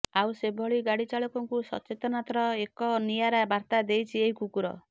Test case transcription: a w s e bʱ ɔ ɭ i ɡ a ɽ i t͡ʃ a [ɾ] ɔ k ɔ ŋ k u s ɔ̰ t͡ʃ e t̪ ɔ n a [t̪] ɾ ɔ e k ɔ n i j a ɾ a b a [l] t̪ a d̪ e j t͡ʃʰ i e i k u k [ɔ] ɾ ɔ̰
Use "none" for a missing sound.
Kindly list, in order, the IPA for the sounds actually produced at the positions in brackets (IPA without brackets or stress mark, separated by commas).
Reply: ɭ, t̪, ɾ, u